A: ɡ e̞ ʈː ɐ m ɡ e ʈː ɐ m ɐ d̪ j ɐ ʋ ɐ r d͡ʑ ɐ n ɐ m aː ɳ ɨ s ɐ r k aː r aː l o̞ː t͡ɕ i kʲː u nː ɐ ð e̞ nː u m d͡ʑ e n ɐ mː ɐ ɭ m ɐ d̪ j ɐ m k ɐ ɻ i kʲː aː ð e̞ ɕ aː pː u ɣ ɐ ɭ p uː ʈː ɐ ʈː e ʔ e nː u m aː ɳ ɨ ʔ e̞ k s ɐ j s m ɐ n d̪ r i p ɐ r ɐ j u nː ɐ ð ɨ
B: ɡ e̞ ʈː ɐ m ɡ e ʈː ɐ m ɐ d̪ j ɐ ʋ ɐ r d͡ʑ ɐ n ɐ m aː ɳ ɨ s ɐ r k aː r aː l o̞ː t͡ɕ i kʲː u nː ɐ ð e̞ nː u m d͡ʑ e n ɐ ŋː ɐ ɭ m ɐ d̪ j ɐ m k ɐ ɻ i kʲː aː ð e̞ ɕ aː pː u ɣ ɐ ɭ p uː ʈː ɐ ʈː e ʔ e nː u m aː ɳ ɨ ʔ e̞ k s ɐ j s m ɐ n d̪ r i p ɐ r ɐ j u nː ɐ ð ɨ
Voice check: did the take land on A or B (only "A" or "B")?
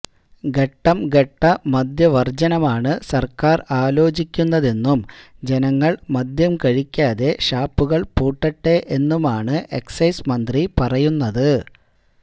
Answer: B